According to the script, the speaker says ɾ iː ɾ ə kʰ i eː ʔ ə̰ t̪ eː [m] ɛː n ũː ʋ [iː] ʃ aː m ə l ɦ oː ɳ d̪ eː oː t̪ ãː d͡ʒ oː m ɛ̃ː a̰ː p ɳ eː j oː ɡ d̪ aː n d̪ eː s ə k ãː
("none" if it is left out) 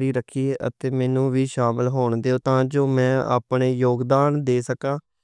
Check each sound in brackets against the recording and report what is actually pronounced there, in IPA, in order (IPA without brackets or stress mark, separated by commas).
m, iː